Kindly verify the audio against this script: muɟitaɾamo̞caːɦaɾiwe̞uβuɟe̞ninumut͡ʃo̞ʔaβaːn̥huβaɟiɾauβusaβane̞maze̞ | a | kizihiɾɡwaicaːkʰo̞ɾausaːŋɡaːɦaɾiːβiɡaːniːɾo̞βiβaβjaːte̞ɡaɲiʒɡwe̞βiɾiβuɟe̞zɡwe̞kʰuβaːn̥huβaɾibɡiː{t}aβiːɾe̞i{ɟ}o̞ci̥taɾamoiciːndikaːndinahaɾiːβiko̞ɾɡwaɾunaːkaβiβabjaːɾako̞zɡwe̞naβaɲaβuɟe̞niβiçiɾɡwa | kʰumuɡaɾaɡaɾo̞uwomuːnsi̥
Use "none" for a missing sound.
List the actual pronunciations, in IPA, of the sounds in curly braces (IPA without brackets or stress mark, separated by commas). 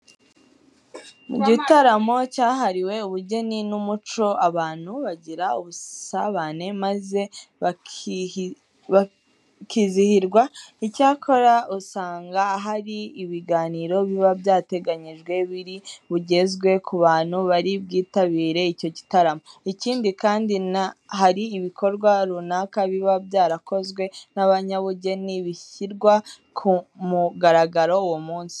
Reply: t, c